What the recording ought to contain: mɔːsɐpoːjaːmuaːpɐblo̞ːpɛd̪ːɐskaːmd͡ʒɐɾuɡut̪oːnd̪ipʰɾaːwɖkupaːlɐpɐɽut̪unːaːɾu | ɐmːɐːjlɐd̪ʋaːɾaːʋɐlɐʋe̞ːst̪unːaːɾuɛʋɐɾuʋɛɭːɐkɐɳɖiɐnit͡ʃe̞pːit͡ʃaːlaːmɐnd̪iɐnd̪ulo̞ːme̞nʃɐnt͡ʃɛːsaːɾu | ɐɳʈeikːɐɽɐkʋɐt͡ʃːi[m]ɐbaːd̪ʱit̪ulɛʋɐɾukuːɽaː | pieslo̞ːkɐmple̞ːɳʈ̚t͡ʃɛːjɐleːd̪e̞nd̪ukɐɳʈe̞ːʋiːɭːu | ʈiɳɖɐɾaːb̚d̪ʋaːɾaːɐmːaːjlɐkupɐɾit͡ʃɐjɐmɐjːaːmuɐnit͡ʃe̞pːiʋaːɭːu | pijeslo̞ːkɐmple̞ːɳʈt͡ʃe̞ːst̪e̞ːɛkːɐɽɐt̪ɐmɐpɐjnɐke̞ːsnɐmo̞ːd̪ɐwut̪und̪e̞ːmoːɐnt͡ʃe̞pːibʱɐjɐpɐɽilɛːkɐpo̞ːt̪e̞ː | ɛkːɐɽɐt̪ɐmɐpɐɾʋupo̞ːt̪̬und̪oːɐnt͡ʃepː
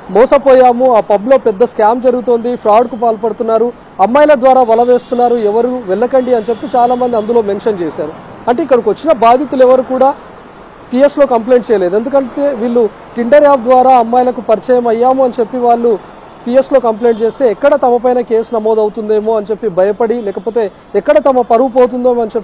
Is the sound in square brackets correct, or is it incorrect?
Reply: incorrect